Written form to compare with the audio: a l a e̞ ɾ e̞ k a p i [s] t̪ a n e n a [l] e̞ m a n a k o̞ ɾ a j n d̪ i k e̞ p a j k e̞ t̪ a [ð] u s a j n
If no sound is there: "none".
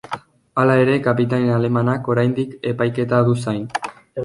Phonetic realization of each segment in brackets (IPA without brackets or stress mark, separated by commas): none, l, ð